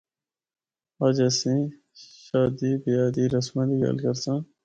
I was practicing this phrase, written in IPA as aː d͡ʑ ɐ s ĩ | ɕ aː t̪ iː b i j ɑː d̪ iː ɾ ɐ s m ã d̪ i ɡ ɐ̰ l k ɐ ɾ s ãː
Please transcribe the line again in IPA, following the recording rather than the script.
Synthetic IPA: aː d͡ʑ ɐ s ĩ | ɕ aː d̪ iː b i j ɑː d̪ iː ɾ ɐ s m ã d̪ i ɡ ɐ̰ l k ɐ ɾ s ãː